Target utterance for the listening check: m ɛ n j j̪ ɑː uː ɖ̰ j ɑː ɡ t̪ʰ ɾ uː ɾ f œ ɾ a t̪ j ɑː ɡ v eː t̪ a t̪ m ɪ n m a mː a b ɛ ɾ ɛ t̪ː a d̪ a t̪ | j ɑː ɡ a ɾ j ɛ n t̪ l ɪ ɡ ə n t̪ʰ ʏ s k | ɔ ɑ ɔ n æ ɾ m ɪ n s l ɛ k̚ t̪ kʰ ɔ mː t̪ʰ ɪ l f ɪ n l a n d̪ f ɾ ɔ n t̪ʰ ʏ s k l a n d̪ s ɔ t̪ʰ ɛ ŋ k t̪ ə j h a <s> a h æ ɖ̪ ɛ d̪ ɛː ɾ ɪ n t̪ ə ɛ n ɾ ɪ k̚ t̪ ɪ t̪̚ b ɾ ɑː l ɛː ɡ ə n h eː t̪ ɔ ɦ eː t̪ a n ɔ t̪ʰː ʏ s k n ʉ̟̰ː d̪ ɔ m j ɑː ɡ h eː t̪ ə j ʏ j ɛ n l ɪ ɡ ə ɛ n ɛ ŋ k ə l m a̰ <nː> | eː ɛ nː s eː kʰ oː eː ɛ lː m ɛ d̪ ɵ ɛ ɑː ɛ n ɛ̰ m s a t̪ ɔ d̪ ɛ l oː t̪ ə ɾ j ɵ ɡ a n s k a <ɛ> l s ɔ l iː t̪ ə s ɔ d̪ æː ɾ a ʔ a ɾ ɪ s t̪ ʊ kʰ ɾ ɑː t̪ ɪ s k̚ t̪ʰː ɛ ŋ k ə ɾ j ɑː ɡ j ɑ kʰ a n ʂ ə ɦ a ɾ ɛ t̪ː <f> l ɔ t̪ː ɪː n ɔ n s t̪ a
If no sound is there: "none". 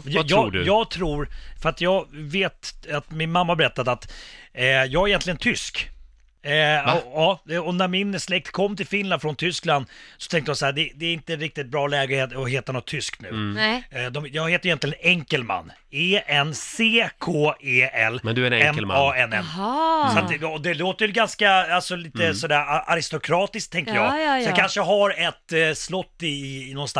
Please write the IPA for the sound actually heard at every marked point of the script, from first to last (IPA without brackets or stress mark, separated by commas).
s, nː, a, s